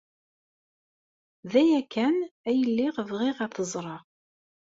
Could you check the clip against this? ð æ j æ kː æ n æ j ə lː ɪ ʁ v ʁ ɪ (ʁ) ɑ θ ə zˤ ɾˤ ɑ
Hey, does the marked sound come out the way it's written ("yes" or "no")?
yes